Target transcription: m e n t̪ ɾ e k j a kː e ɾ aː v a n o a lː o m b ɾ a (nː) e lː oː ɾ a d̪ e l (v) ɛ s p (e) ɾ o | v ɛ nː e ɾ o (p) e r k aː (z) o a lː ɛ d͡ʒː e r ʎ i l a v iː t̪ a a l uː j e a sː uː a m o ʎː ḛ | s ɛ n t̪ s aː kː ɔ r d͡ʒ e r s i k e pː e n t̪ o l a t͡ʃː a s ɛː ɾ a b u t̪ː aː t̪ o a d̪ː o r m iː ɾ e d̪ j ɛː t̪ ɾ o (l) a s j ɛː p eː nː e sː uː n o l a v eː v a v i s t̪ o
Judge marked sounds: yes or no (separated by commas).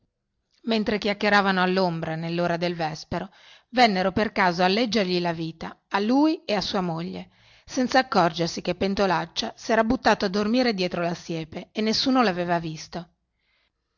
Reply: no, yes, yes, yes, yes, yes